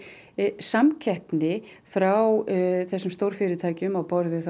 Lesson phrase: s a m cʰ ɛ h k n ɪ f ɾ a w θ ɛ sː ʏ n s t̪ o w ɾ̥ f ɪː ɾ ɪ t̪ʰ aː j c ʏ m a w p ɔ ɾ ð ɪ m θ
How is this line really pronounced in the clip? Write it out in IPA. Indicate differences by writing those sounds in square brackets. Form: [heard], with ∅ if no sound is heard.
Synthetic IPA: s a m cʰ ɛ h [p] n ɪ f ɾ a w θ ɛ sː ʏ [m] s t̪ o w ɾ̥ f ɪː ɾ ɪ t̪ʰ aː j c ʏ m a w p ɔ ɾ ð ɪ [∅] θ